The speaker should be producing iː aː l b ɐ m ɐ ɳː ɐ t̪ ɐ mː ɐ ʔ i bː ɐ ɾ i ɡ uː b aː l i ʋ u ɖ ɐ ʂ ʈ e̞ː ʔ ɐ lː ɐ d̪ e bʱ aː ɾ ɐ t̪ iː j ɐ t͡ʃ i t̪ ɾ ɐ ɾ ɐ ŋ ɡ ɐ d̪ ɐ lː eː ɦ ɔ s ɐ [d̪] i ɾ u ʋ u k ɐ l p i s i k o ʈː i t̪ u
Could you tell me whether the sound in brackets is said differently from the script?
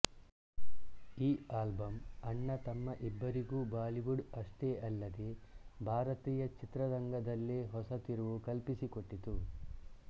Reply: yes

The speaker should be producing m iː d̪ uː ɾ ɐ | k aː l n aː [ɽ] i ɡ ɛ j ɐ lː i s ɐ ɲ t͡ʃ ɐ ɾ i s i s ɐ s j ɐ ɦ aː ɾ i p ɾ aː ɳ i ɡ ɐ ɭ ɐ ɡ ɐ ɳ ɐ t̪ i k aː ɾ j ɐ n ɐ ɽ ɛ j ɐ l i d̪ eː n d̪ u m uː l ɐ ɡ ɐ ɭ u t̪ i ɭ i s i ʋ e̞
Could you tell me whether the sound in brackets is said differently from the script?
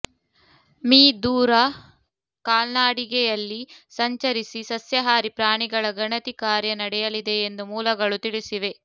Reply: no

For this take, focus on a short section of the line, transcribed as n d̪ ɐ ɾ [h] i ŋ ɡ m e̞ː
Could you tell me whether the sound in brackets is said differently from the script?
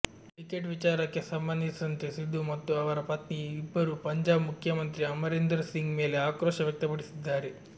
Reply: yes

